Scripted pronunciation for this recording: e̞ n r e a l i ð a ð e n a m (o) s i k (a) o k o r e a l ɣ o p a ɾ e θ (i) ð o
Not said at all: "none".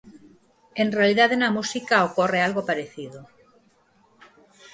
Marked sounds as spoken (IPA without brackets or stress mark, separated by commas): u, a, i